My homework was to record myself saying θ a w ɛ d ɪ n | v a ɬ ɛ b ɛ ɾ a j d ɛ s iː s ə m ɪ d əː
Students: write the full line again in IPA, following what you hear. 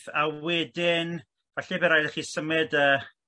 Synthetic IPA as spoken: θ a w ɛ d ɪ n | v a ɬ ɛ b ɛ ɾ a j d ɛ χ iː s ə m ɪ d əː